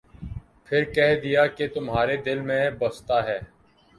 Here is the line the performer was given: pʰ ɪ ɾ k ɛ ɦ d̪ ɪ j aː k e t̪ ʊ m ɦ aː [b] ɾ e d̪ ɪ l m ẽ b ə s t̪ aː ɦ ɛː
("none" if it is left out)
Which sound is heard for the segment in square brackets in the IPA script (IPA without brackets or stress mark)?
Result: none